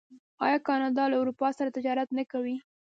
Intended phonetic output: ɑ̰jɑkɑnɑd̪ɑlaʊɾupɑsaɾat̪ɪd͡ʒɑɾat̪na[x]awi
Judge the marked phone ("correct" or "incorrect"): incorrect